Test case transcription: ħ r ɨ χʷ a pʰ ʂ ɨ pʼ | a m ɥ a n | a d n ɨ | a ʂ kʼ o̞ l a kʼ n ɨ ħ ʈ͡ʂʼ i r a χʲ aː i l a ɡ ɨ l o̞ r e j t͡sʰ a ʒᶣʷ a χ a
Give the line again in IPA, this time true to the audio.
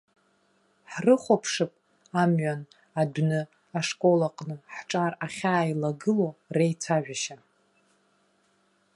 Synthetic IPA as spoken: ħ r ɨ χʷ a pʰ ʂ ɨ pʼ | a m ɥ a n | a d n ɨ | a ʂ kʼ o̞ l a qʼ n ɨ ħ ʈ͡ʂʼ a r a χʲ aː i l a ɡ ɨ l o̞ r e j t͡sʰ a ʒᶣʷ a ʃ a

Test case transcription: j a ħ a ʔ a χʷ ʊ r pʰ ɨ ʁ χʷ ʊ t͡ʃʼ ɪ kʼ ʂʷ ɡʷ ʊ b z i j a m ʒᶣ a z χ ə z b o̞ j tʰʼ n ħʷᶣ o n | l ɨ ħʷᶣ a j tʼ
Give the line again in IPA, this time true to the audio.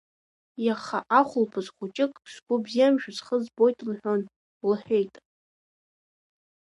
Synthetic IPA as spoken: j a χ a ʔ a χʷ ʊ l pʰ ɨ z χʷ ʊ t͡ʃʼ ɪ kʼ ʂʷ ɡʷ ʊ b z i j a m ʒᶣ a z χ ə z b o̞ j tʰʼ n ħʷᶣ o n | l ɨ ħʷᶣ e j tʼ

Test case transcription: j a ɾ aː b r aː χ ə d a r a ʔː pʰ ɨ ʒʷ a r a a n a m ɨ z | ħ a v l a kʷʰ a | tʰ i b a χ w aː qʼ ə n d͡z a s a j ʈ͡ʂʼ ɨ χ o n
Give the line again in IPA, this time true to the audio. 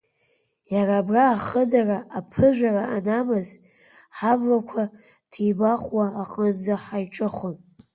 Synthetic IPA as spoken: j a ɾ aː b r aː χ ə d a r a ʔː pʰ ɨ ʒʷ a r a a n a m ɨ z | ħ a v l a kʷʰ a | tʰ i b a χ w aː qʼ ə n d͡z a ħ a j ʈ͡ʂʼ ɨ χ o n

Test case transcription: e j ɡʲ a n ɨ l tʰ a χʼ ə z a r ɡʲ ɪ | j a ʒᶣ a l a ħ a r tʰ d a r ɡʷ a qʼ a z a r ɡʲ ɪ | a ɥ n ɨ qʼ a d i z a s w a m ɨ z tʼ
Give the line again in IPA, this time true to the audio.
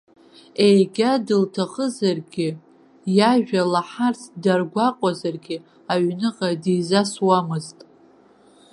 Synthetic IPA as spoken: e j ɡʲ a d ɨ l tʰ a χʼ ə z a r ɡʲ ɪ | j a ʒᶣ a l a ħ a r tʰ d a r ɡʷ a qʼ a z a r ɡʲ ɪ | a ɥ n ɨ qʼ a d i z a s w a m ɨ z tʼ

